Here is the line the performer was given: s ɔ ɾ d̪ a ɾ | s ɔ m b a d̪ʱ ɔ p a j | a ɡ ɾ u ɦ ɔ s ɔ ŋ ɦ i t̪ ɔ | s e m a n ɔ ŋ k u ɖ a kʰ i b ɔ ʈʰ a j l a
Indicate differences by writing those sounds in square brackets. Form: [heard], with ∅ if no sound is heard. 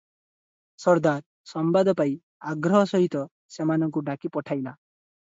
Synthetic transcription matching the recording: s ɔ ɾ d̪ a ɾ | s ɔ m b a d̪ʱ ɔ p a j | a ɡ ɾ [ɔ] ɦ ɔ s ɔ [∅] ɦ i t̪ ɔ | s e m a n ɔ ŋ k u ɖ a [k] i [p] ɔ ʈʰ a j l a